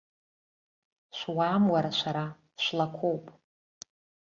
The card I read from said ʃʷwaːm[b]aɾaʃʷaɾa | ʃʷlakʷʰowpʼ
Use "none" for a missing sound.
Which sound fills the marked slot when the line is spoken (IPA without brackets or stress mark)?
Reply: w